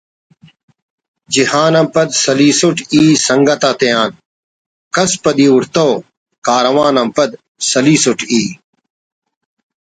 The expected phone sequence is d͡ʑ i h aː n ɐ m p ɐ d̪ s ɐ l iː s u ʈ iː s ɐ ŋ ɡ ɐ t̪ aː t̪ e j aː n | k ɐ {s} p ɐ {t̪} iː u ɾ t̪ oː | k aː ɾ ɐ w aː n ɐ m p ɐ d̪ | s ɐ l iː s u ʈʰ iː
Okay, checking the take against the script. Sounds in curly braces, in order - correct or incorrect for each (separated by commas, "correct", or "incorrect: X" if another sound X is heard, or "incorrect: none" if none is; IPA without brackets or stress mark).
correct, incorrect: d̪